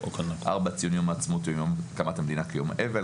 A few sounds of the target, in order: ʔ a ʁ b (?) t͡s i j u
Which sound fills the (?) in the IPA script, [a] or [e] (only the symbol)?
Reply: a